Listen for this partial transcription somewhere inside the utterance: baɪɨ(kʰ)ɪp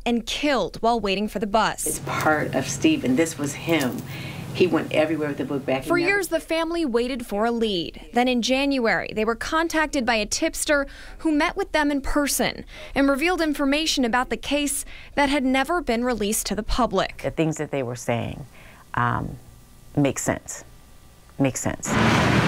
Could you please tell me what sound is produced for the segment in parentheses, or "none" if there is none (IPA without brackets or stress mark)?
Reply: tʰ